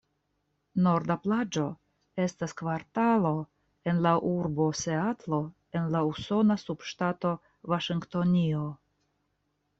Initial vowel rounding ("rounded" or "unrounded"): rounded